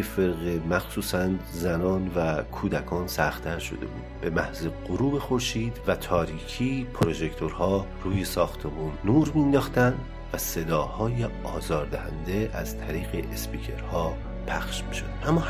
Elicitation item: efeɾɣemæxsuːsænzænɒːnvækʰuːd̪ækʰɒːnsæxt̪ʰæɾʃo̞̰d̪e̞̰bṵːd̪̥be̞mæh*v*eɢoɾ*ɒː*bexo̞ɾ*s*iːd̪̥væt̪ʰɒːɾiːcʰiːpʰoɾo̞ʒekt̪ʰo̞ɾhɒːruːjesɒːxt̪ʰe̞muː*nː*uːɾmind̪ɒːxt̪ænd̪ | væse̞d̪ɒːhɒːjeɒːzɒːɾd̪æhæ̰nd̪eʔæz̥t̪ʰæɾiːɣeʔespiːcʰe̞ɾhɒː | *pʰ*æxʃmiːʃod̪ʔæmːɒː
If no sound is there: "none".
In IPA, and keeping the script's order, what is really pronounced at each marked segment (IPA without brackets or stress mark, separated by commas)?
z, uː, ʃ, nː, pʰ